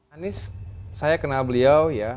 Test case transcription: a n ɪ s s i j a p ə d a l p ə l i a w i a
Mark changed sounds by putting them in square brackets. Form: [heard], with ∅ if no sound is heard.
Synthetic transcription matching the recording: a n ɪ s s [a] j a [k] ə [n] a l [b] ə l i a w [j] a